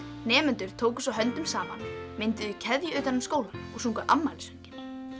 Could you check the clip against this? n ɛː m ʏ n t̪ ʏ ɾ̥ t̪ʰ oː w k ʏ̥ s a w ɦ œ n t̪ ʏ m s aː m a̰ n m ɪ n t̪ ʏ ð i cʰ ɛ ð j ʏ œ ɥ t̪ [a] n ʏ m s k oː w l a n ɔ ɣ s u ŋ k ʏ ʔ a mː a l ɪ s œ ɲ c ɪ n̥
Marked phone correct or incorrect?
correct